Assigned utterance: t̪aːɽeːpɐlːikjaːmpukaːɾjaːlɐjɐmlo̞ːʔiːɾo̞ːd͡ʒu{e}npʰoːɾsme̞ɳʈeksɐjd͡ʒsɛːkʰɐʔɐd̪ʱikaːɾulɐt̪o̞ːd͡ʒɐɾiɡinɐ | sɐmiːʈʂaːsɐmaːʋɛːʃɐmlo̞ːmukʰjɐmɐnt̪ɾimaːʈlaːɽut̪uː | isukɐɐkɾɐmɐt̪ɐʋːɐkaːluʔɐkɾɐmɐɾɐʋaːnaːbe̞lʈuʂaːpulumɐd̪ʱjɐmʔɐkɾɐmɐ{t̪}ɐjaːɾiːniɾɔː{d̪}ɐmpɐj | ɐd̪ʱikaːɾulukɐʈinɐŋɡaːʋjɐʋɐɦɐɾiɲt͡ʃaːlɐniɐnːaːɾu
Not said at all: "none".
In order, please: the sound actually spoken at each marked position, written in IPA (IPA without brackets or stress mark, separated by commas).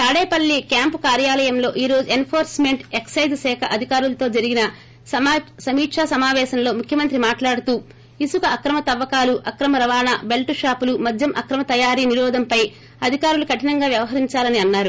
e, t̪, d̪